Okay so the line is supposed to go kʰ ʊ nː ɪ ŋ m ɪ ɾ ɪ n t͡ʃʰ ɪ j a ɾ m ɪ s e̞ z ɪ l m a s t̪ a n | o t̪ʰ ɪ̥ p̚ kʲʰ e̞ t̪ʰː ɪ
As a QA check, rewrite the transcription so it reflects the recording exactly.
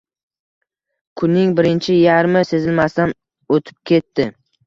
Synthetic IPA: kʰ ʊ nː ɪ ŋ b ɪ ɾ ɪ n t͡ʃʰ ɪ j a ɾ m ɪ s e̞ z ɪ l m a s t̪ a n | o t̪ʰ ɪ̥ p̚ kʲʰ e̞ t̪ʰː ɪ